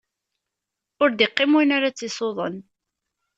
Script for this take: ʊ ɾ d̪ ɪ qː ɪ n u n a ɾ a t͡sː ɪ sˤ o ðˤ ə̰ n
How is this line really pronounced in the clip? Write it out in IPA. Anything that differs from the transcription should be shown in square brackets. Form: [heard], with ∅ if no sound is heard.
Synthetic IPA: ʊ ɾ d̪ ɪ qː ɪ [m] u n a ɾ a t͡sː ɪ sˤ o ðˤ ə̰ n